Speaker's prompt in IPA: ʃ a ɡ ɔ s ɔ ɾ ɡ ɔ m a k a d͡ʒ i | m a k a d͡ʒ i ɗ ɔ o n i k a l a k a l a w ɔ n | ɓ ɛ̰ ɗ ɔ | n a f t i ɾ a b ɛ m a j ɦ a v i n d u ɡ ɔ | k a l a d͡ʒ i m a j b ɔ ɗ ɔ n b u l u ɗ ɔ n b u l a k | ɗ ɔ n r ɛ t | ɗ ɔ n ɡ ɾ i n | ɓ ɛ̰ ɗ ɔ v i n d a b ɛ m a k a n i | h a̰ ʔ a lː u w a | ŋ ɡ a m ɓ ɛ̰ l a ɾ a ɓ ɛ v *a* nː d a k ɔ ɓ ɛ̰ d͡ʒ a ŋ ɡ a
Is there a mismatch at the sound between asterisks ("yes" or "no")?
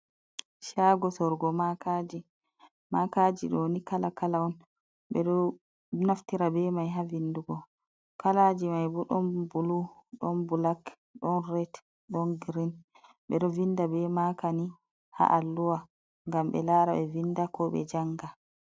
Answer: yes